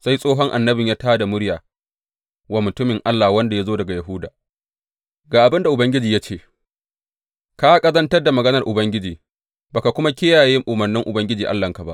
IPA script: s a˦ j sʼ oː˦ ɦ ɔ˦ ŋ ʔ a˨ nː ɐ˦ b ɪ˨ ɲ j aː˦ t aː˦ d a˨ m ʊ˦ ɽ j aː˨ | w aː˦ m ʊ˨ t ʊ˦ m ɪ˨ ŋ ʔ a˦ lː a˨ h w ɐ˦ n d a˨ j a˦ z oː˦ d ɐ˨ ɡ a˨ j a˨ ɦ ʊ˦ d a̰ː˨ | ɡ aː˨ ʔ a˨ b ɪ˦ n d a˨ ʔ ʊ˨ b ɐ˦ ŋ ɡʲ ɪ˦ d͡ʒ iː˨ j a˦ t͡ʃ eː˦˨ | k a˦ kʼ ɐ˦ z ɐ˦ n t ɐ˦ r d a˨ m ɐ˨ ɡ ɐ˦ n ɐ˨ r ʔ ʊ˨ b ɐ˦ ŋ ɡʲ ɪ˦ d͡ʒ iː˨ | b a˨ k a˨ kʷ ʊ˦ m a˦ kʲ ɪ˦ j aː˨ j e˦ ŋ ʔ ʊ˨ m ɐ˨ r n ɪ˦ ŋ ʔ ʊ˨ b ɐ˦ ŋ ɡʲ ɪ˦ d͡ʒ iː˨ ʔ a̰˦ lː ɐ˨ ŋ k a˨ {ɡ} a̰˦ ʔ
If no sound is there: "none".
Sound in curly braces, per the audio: b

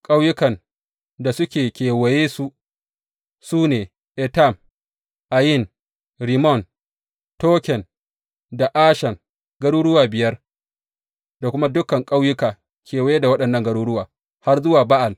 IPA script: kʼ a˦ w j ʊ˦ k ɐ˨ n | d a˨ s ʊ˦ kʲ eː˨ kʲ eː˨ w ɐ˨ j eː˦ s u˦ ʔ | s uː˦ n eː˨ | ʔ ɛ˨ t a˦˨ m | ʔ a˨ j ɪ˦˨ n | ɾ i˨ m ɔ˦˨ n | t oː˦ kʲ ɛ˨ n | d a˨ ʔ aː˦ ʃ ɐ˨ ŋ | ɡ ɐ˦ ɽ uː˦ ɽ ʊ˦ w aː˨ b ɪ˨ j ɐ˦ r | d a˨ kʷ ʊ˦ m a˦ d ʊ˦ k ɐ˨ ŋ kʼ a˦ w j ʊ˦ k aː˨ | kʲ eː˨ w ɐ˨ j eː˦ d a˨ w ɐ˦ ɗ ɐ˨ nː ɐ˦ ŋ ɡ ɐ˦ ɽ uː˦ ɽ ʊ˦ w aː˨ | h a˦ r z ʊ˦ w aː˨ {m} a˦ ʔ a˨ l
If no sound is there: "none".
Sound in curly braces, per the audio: b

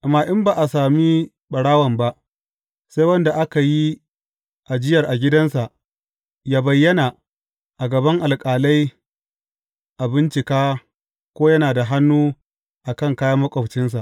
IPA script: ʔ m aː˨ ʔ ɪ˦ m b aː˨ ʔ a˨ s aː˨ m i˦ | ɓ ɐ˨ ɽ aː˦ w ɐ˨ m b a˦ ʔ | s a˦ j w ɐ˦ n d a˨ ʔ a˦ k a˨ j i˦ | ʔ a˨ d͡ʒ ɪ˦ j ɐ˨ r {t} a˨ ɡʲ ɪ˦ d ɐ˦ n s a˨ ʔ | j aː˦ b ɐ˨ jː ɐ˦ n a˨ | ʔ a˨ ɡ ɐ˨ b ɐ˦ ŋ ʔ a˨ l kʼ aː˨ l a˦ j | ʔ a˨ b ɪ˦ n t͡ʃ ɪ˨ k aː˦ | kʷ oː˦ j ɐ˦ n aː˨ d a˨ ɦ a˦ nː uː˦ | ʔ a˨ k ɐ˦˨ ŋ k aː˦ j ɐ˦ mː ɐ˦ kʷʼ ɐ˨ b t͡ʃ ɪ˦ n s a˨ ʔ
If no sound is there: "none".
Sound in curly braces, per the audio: ʔ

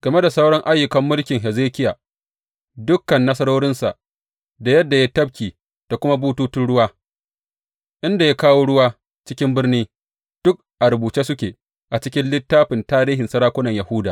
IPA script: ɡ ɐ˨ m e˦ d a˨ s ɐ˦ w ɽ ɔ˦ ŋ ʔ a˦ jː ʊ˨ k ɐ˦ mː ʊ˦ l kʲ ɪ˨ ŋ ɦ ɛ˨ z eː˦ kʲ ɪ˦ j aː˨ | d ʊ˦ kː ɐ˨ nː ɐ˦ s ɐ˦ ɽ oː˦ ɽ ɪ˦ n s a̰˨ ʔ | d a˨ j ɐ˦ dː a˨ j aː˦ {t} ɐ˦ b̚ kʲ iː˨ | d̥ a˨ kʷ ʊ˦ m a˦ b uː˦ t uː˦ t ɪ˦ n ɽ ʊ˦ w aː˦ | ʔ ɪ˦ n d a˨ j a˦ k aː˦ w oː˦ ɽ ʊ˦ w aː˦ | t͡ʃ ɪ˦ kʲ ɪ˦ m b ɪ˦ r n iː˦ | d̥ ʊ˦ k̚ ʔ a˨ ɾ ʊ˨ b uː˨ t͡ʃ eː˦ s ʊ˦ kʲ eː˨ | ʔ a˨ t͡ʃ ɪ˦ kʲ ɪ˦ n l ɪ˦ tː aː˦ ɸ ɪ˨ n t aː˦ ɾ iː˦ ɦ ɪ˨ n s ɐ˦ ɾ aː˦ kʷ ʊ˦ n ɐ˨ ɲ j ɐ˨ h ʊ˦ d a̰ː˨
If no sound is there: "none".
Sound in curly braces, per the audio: t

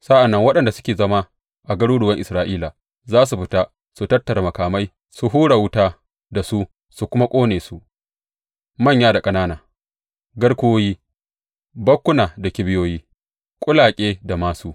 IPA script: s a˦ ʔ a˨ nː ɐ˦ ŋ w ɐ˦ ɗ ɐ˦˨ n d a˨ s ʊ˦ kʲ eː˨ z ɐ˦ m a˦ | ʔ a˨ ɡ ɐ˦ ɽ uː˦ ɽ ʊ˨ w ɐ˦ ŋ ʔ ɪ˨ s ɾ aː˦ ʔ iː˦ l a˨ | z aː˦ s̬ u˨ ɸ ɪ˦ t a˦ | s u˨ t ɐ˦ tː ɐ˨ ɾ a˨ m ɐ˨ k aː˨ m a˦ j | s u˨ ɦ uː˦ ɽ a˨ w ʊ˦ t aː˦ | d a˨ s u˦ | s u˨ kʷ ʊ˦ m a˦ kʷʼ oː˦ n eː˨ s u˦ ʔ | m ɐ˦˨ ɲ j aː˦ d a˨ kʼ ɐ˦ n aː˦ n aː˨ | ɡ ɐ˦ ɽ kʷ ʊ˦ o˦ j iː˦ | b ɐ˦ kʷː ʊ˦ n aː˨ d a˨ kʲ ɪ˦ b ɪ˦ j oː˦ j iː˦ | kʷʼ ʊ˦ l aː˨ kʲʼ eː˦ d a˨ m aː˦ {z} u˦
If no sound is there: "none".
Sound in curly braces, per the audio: s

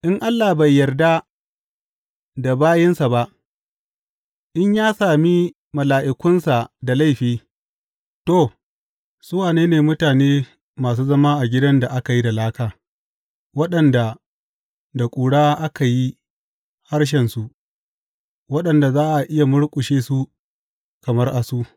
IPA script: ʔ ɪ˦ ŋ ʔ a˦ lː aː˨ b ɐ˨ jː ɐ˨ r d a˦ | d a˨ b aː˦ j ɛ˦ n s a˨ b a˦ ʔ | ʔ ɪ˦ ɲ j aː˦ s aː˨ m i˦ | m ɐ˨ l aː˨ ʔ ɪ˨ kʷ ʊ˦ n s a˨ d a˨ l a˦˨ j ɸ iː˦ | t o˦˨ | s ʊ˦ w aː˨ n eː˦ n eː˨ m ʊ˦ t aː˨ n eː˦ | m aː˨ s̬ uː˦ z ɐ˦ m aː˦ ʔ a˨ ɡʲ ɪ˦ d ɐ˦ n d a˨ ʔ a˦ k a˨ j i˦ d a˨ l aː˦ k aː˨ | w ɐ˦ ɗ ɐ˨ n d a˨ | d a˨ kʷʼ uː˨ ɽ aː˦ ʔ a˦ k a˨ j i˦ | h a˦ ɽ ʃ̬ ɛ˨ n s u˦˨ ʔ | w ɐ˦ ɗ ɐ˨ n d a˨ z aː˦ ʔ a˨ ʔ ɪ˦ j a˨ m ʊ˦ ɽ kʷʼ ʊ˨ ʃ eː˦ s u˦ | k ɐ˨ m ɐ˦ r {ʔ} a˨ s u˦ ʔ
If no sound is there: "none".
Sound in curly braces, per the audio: ʔ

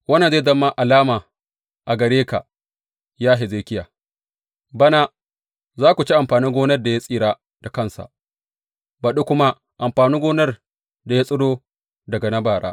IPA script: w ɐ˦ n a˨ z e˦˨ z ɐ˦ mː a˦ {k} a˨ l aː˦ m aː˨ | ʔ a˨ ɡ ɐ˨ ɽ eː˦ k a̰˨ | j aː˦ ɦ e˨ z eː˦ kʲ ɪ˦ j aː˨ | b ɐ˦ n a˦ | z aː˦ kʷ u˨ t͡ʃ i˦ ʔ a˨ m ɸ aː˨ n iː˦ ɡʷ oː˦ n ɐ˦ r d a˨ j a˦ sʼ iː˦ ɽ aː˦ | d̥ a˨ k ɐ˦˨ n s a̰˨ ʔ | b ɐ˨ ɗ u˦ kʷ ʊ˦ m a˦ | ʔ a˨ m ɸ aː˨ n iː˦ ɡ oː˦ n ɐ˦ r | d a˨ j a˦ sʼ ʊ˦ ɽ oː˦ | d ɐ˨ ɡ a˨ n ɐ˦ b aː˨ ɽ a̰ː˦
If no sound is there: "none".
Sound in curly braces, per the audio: ʔ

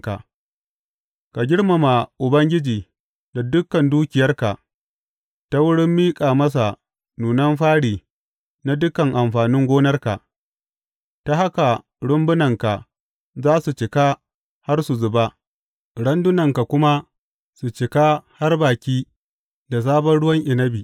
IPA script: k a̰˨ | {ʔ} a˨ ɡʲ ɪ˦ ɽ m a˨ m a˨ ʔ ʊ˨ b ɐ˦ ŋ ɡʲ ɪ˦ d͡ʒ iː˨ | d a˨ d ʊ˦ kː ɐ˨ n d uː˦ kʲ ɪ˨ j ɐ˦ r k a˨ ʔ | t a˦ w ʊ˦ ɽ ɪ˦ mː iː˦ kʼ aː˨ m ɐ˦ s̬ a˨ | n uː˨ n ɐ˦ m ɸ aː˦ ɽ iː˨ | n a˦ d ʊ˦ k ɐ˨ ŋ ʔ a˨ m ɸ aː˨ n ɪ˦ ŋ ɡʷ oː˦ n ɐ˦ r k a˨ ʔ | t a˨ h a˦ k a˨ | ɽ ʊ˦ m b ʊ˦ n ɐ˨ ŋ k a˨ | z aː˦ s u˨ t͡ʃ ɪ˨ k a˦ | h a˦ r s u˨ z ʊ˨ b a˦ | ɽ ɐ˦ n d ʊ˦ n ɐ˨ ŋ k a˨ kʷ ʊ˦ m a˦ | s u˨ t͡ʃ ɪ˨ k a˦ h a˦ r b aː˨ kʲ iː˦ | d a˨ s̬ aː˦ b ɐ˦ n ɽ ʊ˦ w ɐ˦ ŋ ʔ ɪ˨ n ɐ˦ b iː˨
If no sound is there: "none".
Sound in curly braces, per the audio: k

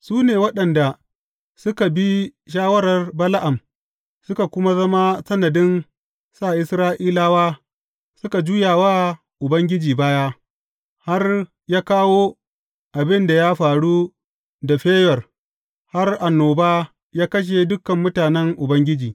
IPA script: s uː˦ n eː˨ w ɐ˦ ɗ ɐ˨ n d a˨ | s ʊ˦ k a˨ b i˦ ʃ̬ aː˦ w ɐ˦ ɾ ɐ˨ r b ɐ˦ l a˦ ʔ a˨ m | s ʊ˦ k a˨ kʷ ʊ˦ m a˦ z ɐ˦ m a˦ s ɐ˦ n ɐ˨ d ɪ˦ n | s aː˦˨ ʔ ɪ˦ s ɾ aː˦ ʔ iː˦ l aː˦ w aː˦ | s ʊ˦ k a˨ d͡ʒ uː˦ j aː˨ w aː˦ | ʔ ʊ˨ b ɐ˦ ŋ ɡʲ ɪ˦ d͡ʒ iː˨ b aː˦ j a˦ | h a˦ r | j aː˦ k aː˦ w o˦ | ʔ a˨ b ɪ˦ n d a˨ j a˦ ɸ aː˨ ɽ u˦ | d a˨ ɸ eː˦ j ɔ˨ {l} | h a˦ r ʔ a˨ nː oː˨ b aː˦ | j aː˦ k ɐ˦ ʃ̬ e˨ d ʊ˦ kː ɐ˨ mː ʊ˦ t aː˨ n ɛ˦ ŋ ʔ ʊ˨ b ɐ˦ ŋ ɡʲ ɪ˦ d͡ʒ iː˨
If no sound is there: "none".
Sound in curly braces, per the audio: r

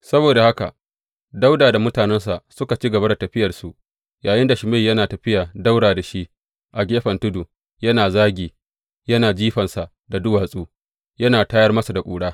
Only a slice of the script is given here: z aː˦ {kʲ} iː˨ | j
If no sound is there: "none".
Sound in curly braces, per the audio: ɡʲ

